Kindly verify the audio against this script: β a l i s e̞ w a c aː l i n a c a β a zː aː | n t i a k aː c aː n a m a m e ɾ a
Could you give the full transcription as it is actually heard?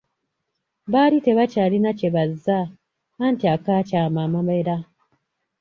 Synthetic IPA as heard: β a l i t e̞ β a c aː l i n a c e β a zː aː | n t i a k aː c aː m a m a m e ɾ a